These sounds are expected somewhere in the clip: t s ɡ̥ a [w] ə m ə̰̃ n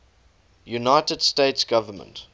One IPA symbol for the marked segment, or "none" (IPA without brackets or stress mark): v